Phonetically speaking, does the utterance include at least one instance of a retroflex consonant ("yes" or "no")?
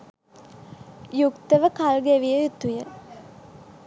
no